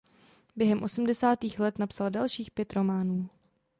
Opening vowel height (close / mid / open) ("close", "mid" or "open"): mid